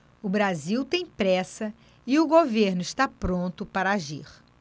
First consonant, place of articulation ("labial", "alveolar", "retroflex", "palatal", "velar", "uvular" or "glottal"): labial